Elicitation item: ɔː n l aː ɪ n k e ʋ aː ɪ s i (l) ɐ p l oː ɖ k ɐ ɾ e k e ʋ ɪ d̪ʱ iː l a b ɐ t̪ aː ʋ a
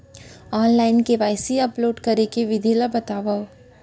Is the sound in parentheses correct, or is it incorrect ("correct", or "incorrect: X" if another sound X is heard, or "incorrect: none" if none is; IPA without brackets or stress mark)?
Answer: incorrect: none